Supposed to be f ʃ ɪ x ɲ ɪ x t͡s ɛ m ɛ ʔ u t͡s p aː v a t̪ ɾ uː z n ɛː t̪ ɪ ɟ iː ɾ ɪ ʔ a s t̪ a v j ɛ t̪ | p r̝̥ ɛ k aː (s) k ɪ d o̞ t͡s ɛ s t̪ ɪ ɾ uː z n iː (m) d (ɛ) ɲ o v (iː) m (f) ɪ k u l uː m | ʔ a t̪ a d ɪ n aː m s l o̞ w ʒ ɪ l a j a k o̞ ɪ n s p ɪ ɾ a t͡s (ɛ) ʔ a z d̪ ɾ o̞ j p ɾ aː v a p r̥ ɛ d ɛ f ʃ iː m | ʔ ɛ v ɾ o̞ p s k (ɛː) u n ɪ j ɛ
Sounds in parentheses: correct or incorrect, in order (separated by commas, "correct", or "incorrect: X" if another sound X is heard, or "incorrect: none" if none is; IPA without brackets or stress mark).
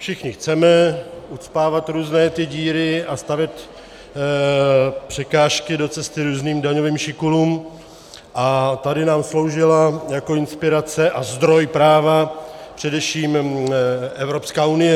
incorrect: ʃ, correct, incorrect: a, correct, incorrect: ʃ, correct, incorrect: aː